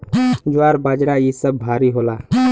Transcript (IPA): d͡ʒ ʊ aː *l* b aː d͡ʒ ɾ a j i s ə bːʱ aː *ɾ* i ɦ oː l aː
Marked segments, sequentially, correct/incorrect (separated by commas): incorrect, correct